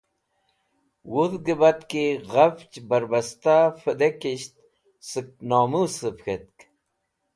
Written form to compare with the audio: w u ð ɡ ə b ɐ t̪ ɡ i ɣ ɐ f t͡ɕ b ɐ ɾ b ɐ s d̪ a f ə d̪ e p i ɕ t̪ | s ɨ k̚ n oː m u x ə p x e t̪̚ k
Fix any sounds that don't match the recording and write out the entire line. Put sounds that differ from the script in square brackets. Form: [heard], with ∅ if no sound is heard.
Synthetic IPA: w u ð ɡ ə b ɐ t̪ [k] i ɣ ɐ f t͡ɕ b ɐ ɾ b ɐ s [t̪] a f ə d̪ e [k] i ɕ t̪ | s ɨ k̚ n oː m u [s] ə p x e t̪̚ k